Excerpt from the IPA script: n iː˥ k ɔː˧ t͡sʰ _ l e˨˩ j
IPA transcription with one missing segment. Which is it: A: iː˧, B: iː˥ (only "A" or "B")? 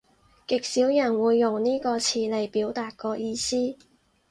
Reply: A